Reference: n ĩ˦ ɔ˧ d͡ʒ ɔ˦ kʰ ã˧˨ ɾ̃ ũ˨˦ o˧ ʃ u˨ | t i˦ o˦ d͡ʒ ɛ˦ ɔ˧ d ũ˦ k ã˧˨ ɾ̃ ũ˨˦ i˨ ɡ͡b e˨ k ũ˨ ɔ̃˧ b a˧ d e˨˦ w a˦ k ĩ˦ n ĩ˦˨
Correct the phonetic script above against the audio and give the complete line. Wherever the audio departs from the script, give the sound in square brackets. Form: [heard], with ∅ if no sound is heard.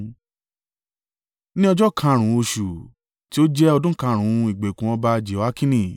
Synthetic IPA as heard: n ĩ˦ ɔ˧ d͡ʒ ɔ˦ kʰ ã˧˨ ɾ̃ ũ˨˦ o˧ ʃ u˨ | t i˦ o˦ d͡ʒ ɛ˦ ɔ˧ d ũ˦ k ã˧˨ ɾ̃ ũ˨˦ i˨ ɡ͡b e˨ k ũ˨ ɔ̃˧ b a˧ [d͡ʒ] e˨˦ w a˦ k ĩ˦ n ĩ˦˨